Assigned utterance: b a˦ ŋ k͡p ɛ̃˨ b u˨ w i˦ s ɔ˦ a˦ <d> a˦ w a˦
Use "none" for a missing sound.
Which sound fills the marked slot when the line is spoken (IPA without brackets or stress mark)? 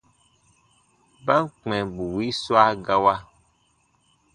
ɡ